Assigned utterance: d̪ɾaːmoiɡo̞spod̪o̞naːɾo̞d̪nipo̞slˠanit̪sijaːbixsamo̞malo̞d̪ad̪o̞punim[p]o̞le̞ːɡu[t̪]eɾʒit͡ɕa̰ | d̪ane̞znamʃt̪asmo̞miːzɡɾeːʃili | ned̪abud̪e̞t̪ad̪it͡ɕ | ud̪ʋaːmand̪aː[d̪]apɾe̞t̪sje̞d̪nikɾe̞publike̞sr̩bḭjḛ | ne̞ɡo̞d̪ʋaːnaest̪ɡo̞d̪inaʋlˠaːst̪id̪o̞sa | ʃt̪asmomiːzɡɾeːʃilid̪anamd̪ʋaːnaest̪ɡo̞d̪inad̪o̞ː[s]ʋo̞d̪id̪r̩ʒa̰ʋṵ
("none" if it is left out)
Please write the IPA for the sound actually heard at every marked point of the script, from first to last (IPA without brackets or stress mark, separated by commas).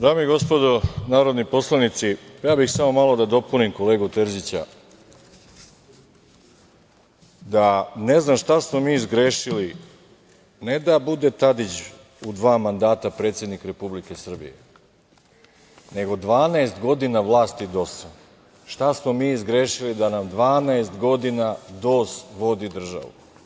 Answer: k, t̪, t̪, s